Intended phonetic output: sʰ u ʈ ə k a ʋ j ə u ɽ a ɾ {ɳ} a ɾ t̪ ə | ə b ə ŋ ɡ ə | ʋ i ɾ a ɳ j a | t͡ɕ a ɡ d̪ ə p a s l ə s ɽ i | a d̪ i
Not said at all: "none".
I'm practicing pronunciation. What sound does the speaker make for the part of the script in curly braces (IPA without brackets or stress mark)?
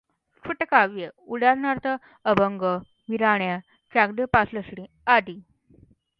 n